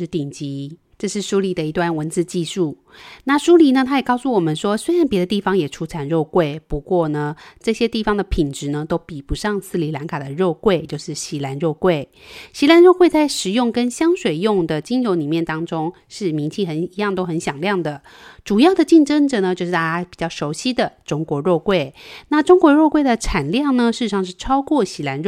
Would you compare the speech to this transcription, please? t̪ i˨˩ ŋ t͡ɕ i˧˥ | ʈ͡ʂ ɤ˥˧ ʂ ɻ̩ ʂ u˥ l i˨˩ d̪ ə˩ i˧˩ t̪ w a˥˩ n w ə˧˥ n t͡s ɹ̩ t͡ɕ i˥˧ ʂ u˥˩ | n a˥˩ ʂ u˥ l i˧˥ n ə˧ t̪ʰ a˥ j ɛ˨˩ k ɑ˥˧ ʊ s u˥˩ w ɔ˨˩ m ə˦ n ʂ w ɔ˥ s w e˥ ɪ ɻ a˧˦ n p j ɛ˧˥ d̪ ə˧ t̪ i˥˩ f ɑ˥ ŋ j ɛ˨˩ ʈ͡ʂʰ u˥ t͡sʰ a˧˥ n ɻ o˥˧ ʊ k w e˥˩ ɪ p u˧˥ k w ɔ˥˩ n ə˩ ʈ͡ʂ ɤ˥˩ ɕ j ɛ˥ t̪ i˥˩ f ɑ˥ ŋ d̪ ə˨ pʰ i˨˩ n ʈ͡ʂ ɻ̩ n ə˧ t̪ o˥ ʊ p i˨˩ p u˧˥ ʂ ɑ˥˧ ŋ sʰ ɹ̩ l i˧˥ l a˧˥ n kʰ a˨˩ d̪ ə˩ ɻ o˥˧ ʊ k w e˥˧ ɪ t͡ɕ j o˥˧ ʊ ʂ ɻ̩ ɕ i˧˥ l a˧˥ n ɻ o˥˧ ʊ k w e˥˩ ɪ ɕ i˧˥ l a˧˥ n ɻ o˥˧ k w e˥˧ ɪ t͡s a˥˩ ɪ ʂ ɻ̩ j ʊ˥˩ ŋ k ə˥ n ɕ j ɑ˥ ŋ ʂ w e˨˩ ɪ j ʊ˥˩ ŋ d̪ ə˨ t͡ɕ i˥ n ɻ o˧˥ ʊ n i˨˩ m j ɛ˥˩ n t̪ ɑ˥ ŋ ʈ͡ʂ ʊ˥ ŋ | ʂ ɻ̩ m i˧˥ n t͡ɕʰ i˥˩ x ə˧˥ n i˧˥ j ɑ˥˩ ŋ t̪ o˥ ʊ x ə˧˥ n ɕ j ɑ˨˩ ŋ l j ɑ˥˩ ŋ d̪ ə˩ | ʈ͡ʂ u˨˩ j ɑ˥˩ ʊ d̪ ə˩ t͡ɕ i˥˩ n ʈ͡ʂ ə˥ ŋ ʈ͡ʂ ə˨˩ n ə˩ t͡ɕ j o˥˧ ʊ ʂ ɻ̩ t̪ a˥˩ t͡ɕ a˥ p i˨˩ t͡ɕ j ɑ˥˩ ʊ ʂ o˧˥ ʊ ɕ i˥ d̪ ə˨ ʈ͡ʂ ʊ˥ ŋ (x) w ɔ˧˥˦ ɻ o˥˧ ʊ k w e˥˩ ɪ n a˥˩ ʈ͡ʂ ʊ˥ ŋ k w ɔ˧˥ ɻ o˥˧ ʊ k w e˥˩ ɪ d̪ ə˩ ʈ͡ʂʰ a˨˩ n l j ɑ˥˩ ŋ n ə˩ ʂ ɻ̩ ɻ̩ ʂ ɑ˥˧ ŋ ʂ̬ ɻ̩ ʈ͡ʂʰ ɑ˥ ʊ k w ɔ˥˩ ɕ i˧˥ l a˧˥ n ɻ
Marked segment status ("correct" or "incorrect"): incorrect